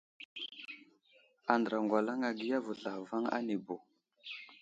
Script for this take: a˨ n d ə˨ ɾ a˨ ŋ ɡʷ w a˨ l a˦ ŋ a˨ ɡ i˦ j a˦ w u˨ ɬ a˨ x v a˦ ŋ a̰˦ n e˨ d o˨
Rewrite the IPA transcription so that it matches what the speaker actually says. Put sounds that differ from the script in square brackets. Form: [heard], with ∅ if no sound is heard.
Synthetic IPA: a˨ n d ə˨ ɾ a˨ ŋ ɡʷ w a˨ l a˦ ŋ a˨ ɡ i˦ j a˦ [v] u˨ ɬ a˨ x v a˦ ŋ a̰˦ n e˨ [b] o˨

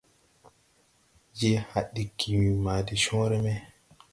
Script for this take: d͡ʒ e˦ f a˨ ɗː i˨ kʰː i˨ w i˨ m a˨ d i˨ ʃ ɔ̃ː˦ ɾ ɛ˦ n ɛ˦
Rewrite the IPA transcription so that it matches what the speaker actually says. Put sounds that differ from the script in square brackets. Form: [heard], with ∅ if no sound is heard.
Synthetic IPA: d͡ʒ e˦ [h] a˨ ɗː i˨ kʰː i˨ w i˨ m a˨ d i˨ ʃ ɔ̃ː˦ ɾ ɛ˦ [m] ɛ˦

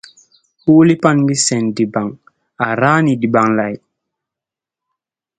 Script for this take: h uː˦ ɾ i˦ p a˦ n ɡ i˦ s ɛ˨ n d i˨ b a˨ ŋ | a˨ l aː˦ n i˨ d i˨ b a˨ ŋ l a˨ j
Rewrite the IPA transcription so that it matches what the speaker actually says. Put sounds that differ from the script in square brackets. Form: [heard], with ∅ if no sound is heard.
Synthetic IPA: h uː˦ [l] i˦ p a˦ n ɡ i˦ s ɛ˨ n d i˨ b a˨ ŋ | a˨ [ɾ] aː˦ n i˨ d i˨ b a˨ ŋ l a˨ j

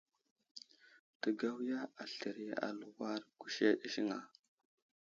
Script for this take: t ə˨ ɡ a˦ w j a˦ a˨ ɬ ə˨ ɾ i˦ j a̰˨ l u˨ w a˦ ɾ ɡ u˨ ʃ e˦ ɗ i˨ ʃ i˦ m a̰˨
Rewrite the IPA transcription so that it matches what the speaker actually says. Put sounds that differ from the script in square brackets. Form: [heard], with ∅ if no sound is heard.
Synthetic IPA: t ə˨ ɡ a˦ w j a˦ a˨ ɬ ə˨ ɾ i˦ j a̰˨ l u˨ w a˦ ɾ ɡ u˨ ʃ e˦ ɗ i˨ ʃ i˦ [ŋ] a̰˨

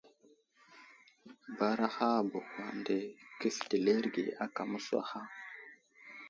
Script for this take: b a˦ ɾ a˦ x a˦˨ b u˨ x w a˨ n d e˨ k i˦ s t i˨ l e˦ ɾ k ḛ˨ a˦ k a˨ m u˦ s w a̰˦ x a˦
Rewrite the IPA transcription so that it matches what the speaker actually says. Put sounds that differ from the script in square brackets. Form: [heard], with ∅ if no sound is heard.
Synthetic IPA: b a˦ ɾ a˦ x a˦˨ b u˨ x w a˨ n d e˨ k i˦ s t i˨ l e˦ ɾ [ɡ] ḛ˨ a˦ k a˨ m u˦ s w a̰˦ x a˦

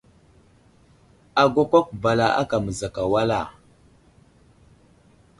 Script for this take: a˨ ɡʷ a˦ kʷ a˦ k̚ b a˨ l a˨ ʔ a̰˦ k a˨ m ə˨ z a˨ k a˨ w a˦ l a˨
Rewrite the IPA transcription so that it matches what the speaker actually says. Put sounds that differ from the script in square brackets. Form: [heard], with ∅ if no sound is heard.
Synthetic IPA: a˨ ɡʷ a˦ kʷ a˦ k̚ b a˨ l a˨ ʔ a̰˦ k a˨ m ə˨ z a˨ k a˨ w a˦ l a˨

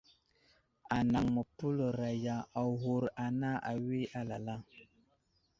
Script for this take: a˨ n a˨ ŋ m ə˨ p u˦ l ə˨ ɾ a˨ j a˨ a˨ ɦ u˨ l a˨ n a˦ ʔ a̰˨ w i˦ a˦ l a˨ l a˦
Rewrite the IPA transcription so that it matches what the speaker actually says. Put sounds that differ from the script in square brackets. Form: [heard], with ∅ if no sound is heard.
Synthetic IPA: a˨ n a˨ ŋ m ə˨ p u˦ l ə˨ ɾ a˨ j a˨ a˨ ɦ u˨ [ɾ] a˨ n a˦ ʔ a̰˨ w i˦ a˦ l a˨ l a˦

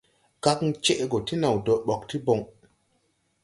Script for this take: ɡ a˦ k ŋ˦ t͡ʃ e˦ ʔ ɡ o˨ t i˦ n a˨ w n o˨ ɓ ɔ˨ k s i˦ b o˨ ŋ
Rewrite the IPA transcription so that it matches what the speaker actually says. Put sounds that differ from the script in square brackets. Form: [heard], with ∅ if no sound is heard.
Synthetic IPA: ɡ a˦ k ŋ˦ t͡ʃ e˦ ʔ ɡ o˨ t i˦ n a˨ w [d] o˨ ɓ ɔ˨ k [t] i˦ b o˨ ŋ

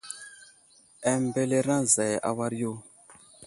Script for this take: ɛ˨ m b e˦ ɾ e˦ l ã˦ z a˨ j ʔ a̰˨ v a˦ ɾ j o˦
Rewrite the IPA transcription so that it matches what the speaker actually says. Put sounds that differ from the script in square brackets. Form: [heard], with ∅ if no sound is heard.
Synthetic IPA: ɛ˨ m b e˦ [l] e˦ [ɾ] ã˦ z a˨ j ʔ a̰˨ [w] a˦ ɾ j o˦

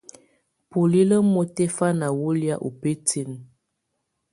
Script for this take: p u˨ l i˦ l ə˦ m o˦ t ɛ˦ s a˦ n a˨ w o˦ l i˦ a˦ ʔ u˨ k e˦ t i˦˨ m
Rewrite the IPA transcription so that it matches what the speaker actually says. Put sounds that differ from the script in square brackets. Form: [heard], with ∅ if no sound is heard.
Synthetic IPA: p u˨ l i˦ l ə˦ m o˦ t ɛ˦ [f] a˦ n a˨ w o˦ l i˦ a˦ ʔ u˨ [p] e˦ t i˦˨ [n]

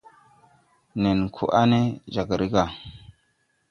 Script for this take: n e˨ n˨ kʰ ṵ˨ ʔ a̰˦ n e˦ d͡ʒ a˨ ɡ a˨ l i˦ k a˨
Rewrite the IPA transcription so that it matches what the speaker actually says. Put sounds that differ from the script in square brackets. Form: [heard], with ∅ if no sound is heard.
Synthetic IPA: n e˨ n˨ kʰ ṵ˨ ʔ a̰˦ n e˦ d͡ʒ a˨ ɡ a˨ [ɾ] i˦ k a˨

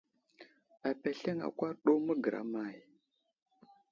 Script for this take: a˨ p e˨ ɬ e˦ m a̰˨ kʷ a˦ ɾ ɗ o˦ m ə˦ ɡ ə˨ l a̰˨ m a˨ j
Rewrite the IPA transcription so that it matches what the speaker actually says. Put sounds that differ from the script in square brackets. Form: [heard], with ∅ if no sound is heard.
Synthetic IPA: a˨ p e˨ ɬ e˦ [ŋ] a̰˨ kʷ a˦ ɾ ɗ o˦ m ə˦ ɡ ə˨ [ɾ] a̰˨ m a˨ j

